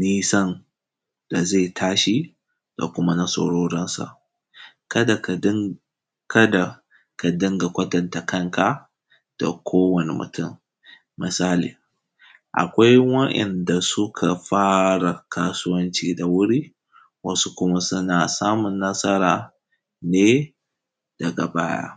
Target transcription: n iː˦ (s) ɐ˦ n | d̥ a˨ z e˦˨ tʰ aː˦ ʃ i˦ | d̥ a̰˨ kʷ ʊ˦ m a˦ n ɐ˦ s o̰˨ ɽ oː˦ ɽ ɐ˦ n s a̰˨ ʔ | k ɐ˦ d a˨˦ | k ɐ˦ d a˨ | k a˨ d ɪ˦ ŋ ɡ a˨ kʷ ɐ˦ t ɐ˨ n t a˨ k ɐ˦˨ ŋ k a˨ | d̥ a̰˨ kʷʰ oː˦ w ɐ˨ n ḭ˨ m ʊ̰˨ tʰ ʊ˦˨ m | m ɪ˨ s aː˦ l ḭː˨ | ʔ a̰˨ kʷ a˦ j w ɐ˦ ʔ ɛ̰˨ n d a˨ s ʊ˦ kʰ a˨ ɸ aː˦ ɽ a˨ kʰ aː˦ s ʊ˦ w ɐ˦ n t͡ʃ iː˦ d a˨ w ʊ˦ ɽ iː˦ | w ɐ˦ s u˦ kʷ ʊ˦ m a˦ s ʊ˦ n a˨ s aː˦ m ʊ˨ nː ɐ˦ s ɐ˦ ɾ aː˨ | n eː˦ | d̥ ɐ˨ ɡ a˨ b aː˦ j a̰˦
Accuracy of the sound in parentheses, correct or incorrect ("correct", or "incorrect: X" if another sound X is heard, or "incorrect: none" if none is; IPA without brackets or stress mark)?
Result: correct